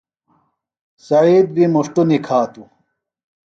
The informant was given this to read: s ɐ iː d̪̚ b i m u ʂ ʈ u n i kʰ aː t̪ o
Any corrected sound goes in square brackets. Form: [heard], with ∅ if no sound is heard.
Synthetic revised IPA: s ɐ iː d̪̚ b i m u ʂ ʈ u n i kʰ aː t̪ [u]